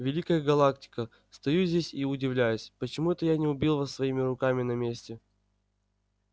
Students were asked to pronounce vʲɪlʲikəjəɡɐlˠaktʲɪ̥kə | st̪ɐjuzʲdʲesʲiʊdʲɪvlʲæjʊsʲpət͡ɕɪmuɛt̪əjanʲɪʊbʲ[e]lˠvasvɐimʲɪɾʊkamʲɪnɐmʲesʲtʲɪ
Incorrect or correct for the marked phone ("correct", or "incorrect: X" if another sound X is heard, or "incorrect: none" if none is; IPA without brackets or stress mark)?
incorrect: i